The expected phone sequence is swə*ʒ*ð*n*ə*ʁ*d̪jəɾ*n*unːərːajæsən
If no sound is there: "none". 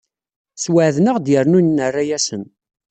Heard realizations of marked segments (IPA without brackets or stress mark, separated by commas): ʕ, n, ʁ, n